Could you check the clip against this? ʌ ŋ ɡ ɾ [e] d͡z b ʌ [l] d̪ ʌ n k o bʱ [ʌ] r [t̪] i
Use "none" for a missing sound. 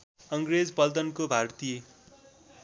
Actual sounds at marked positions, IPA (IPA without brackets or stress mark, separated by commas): e, l, a, t̪